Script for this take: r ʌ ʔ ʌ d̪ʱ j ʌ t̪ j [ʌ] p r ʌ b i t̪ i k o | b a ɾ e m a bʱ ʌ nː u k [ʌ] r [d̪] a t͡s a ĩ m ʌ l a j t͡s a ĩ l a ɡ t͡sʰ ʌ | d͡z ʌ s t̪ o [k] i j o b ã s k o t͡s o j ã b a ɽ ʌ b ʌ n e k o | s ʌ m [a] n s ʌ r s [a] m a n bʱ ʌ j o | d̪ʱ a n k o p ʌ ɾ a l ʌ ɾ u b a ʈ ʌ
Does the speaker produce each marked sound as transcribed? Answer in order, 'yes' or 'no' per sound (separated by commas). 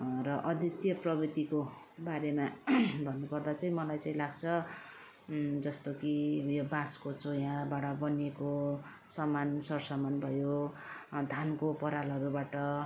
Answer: yes, yes, yes, yes, yes, no